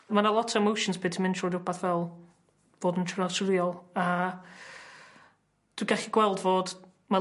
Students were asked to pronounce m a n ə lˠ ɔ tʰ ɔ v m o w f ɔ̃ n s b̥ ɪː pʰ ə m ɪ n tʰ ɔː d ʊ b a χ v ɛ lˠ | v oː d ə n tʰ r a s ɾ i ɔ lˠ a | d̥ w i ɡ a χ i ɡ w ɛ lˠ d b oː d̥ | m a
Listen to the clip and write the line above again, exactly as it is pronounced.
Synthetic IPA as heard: m a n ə lˠ ɔ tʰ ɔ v m o w ʃ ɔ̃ n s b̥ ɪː tʰ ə m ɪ n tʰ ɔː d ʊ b a θ v ɛ lˠ | v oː d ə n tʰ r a s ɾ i ɔ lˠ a | d̥ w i ɡ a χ i ɡ w ɛ lˠ d v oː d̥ | m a